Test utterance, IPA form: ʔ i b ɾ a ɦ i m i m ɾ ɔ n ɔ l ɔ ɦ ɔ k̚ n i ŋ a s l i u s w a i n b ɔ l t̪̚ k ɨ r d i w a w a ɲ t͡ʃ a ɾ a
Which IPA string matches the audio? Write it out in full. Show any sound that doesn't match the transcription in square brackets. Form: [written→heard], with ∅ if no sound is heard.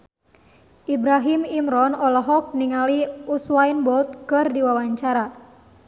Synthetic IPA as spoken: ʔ i b ɾ a ɦ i m i m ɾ ɔ n ɔ l ɔ ɦ ɔ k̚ n i ŋ a [s→∅] l i u s w a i n b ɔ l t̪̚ k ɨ r d i w a w a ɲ t͡ʃ a ɾ a